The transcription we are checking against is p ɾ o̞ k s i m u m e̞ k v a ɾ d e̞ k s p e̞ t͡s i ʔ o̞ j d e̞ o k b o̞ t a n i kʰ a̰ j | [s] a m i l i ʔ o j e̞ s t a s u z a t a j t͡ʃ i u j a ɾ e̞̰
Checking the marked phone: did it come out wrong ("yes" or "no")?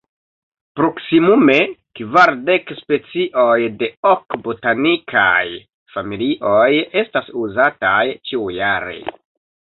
yes